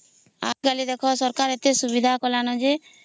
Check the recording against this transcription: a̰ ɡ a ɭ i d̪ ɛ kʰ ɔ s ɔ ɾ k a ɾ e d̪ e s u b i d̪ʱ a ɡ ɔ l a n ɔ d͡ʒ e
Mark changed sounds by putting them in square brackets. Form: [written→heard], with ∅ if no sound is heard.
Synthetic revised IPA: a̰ ɡ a [ɭ→l] i d̪ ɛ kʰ ɔ s ɔ ɾ k a ɾ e [d̪→t̪] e s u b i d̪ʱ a [ɡ→k] ɔ l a n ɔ d͡ʒ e

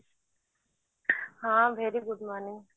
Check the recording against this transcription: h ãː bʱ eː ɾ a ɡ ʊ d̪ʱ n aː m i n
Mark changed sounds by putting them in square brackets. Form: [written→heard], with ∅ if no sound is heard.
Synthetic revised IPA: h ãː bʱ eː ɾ [a→i] ɡ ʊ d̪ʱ [n→m] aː [m→n] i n

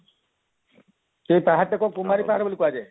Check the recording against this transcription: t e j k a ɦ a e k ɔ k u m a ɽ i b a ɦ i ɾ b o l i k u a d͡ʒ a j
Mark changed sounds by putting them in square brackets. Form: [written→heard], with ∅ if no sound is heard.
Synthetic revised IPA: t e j [k→p] a ɦ a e k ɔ k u m a [ɽ→ɾ] i [b→p] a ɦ [i→a] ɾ b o l i k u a d͡ʒ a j

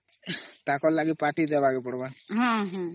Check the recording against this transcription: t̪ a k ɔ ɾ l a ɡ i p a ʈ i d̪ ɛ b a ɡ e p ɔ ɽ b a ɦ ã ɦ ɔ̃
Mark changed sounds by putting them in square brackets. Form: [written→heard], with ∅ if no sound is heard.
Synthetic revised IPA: t̪ a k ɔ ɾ l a ɡ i p a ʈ i d̪ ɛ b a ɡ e p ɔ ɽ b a ɦ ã ɦ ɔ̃

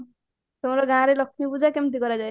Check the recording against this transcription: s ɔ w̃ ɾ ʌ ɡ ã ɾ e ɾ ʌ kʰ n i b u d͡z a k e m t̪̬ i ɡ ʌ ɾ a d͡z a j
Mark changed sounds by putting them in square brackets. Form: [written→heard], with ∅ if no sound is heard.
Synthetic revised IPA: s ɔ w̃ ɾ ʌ ɡ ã ɾ e [ɾ→l] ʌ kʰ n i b u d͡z a k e m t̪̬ i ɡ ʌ ɾ a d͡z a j

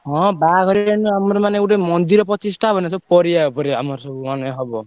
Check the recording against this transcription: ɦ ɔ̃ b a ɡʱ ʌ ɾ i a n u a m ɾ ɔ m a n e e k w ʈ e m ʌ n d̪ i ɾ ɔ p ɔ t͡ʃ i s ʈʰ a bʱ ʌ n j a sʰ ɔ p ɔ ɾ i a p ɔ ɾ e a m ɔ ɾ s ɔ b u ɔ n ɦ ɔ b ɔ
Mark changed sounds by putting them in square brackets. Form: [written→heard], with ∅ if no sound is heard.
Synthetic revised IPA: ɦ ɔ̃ b a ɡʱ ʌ ɾ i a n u a m ɾ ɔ m a n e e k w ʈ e m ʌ n d̪ i ɾ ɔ p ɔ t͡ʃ i s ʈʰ a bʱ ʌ n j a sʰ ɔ p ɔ ɾ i a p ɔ ɾ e a m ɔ ɾ s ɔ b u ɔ n ɦ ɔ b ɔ

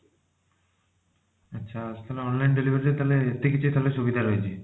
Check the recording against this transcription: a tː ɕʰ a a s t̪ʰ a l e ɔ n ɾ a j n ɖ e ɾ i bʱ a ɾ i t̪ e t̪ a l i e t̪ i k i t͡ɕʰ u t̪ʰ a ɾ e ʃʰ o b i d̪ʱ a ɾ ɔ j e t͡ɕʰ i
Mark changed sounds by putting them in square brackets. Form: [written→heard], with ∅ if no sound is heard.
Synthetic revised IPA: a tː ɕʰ a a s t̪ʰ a l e ɔ n [ɾ→l] a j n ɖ e [ɾ→l] i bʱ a ɾ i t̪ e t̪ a l [i→e] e t̪ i k i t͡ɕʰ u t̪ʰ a [ɾ→l] e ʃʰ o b i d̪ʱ a ɾ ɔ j e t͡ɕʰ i

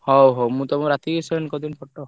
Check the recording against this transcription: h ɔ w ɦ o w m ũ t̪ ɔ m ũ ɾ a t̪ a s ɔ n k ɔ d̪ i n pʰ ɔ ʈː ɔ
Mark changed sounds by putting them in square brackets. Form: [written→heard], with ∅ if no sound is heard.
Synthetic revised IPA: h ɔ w ɦ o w m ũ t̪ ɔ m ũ ɾ a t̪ [a→i] s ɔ n k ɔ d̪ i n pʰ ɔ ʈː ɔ

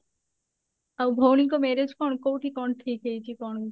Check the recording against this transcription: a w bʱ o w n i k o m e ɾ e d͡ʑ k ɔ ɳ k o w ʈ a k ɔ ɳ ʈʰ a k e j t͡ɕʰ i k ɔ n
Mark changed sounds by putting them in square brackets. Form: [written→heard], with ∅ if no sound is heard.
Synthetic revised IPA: a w bʱ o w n i k o m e ɾ e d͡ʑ k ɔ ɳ k o w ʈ [a→i] k ɔ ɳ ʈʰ [a→i] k e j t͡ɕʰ i k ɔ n

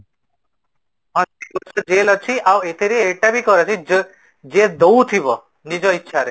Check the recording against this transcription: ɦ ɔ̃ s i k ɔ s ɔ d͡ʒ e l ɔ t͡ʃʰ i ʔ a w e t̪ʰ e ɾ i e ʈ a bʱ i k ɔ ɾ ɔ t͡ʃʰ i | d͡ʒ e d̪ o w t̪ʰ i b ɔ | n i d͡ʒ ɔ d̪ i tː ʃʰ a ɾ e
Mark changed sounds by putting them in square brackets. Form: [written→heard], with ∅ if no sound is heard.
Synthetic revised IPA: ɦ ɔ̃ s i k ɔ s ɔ d͡ʒ e l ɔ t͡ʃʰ i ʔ a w e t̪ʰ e ɾ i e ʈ a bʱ i k ɔ ɾ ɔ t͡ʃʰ i | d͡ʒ e d̪ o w t̪ʰ i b ɔ | n i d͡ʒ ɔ [d̪→∅] i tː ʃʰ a ɾ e

